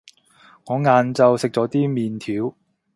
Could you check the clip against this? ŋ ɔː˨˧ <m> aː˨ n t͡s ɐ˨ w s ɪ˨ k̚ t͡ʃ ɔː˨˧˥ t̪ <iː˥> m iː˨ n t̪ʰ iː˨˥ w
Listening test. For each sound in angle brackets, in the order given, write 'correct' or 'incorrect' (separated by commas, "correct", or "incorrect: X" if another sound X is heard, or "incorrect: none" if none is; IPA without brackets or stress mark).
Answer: incorrect: ŋ, correct